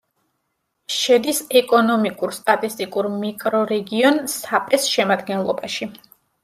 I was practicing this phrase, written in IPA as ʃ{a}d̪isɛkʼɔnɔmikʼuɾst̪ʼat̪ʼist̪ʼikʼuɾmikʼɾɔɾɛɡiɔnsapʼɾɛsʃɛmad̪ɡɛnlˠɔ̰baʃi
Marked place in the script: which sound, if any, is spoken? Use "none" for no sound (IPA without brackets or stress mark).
ɛ